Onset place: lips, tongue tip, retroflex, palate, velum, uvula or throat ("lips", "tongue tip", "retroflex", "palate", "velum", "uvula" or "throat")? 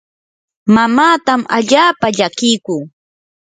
lips